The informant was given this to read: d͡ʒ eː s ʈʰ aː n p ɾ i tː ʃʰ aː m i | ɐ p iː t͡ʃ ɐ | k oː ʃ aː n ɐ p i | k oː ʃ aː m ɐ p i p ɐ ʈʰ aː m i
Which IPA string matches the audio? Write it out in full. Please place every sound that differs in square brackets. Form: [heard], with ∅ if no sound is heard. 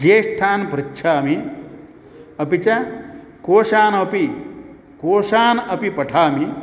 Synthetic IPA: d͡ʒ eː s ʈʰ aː n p ɾ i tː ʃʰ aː m i | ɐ p [i] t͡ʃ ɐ | k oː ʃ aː n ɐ p i | k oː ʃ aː [n] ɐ p i p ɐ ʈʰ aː m i

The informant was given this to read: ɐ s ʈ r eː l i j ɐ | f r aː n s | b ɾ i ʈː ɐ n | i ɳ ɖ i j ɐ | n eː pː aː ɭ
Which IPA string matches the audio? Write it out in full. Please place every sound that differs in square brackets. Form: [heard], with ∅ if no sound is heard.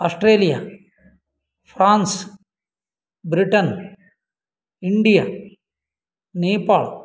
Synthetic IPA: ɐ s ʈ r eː l i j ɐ | f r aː n s | b ɾ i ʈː ɐ n | i ɳ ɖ i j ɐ | n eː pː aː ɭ

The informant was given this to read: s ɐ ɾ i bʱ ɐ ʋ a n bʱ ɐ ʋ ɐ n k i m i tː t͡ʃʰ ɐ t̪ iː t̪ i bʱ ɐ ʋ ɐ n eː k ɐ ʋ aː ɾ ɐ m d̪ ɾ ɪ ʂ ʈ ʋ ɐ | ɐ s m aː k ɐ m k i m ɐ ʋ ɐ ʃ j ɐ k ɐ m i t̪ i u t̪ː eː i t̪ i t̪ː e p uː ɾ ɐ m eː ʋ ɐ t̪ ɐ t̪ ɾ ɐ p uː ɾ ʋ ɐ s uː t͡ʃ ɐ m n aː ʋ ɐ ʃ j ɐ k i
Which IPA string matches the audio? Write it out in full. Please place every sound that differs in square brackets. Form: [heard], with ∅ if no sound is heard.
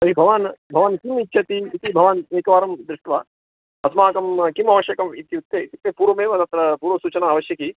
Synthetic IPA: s ɐ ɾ i bʱ ɐ ʋ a n bʱ ɐ ʋ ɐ n k i m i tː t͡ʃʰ ɐ t̪ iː t̪ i bʱ ɐ ʋ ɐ n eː k ɐ ʋ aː ɾ ɐ m d̪ ɾ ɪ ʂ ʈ ʋ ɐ | ɐ s m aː k ɐ m k i m ɐ ʋ ɐ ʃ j ɐ k ɐ m i t̪ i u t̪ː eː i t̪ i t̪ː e p uː ɾ ɐ m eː ʋ ɐ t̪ ɐ t̪ ɾ ɐ p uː ɾ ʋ ɐ s uː t͡ʃ ɐ [∅] n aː ʋ ɐ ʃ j ɐ k i

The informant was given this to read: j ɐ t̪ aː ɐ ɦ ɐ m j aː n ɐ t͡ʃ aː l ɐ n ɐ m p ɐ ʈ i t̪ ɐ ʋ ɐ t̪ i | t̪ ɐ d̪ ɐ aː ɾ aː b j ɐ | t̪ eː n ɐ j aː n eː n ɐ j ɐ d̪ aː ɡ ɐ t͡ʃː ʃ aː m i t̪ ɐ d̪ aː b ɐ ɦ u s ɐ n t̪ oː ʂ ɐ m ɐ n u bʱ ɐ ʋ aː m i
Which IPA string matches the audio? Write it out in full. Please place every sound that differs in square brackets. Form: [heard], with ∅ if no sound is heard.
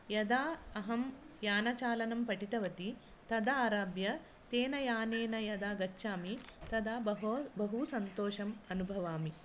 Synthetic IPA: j ɐ [d̪] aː ɐ ɦ ɐ m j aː n ɐ t͡ʃ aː l ɐ n ɐ m p ɐ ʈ i t̪ ɐ ʋ ɐ t̪ i | t̪ ɐ d̪ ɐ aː ɾ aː b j ɐ | t̪ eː n ɐ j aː n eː n ɐ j ɐ d̪ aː ɡ ɐ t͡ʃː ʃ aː m i t̪ ɐ d̪ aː b ɐ ɦ u s ɐ n t̪ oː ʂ ɐ m ɐ n u bʱ ɐ ʋ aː m i

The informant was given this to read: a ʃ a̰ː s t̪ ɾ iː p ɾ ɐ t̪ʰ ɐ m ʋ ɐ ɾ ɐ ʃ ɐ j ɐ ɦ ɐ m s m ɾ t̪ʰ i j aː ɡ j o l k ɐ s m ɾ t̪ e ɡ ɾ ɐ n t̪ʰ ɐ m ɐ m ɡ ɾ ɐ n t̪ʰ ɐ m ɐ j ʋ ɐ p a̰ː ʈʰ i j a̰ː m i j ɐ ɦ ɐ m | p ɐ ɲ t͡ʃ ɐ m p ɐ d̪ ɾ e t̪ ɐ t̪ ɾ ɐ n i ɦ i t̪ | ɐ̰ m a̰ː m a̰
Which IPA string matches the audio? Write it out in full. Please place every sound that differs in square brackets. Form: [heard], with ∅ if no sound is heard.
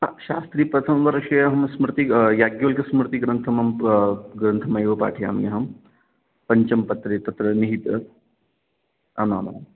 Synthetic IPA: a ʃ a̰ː s t̪ ɾ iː p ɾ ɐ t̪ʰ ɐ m ʋ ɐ ɾ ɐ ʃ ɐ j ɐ ɦ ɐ m s m ɾ [t̪] i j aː ɡ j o l k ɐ s m ɾ t̪ [i] ɡ ɾ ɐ n t̪ʰ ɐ m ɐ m ɡ ɾ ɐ n t̪ʰ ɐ m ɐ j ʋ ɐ p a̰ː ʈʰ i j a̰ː m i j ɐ ɦ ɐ m | p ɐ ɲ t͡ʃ ɐ m p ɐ [t̪] ɾ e t̪ ɐ t̪ ɾ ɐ n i ɦ i t̪ | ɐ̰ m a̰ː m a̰

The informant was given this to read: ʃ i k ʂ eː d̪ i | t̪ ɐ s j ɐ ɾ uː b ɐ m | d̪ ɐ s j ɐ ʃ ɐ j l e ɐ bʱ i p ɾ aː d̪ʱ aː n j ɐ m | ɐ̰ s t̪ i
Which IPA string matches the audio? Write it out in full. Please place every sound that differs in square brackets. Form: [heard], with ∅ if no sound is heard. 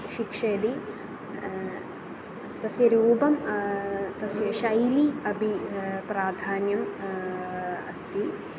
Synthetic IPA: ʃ i k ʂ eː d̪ i | t̪ ɐ s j ɐ ɾ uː b ɐ m | [t̪] ɐ s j ɐ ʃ ɐ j l [i] ɐ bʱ i p ɾ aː d̪ʱ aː n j ɐ m | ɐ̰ s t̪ i

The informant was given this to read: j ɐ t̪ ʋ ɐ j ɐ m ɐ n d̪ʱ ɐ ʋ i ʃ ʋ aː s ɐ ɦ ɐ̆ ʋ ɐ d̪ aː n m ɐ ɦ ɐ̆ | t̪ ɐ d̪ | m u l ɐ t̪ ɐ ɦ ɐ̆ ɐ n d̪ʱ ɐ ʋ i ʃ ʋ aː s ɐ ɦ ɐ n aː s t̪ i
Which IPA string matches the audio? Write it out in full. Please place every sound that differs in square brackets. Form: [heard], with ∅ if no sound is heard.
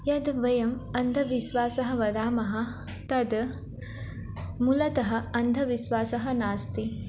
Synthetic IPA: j ɐ [d̪] ʋ ɐ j ɐ m ɐ n d̪ʱ ɐ ʋ i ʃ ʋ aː s ɐ ɦ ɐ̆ ʋ ɐ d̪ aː [∅] m ɐ ɦ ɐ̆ | t̪ ɐ d̪ | m u l ɐ t̪ ɐ ɦ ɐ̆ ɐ n d̪ʱ ɐ ʋ i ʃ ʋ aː s ɐ ɦ ɐ n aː s t̪ i

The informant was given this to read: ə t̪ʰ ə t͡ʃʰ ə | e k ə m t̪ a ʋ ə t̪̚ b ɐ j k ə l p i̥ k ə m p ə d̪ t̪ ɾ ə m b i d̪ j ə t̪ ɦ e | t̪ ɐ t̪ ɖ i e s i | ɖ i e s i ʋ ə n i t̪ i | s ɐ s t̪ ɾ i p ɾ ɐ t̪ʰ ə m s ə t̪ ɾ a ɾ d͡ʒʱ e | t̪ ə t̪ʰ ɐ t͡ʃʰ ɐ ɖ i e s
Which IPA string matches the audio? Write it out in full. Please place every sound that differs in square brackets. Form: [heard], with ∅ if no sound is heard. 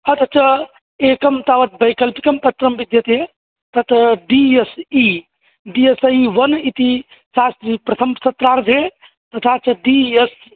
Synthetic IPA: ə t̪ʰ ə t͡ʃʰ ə | e k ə m t̪ a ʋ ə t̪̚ b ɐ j k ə l p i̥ k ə m p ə [∅] t̪ ɾ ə m b i d̪ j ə t̪ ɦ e | t̪ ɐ t̪ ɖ i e s i | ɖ i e s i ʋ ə n i t̪ i | s [a] s t̪ ɾ i p ɾ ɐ t̪ʰ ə m s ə t̪ ɾ a ɾ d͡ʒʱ e | t̪ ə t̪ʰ [a] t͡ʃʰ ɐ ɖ i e s

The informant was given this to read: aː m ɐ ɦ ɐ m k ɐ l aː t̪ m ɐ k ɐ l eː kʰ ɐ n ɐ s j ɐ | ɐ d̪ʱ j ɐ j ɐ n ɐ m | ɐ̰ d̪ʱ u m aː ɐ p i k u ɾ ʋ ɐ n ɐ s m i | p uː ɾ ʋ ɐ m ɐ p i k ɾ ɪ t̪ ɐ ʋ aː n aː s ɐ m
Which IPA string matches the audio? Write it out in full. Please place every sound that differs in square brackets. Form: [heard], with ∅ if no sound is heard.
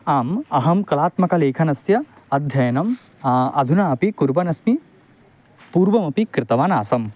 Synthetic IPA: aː m ɐ ɦ ɐ m k ɐ l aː t̪ m ɐ k ɐ l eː kʰ ɐ n ɐ s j ɐ | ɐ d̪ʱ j ɐ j ɐ n ɐ m | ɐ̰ d̪ʱ u [n] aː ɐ p i k u ɾ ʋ ɐ n ɐ s m i | p uː ɾ ʋ ɐ m ɐ p i k ɾ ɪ t̪ ɐ ʋ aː n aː s ɐ m

